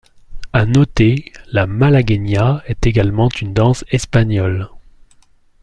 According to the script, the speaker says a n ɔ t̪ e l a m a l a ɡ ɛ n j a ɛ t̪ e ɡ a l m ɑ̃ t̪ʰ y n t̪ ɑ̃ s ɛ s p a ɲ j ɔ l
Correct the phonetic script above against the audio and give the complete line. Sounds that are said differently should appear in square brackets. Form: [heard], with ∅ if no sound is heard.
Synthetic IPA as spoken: a n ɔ t̪ e l a m a l a ɡ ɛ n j a ɛ t̪ e ɡ a l m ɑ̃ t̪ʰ y n [d̪] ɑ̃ s ɛ s p a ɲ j ɔ l